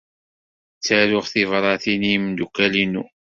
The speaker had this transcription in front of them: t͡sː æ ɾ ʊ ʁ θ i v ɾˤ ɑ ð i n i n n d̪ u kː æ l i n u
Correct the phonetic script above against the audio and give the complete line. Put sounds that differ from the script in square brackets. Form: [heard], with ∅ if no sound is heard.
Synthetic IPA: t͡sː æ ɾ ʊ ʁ θ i v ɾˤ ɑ [θ] i n i [m] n d̪ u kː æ l i n u